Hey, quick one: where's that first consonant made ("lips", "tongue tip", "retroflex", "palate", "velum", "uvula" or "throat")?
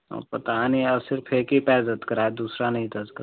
lips